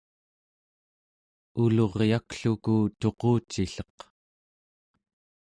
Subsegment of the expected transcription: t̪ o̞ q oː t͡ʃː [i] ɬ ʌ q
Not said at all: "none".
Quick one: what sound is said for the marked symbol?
i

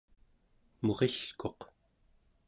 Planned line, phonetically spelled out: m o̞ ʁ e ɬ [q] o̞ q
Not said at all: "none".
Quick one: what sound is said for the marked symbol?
k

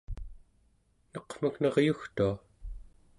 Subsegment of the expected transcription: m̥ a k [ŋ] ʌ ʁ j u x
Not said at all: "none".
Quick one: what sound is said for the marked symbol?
n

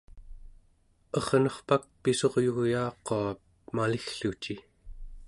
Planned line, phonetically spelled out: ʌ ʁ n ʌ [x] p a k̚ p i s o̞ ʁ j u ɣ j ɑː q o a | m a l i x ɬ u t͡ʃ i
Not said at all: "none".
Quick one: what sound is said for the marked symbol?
χ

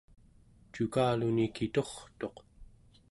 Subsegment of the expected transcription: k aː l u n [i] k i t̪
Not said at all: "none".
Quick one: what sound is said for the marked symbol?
i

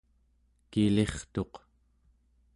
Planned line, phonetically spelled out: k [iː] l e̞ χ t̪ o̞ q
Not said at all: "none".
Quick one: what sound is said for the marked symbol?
i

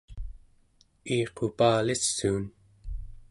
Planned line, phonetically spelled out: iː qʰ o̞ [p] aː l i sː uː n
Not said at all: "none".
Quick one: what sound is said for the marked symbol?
p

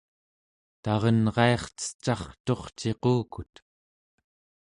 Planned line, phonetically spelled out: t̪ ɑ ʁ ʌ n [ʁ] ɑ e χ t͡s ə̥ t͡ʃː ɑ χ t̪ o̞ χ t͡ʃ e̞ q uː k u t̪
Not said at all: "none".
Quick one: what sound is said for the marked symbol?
ʁ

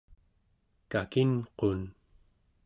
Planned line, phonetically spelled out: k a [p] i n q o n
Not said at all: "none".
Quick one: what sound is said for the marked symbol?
k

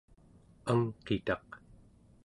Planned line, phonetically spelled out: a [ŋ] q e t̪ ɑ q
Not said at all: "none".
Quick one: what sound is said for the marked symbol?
ŋ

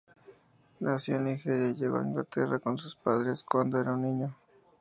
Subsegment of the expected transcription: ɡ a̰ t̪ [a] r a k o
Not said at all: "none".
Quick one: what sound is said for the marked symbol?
e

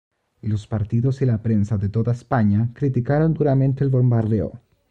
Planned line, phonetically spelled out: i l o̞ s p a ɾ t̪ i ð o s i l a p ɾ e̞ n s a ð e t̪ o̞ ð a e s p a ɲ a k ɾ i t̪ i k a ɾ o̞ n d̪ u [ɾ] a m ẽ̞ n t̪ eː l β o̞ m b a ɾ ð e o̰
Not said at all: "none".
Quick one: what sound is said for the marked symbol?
ɾ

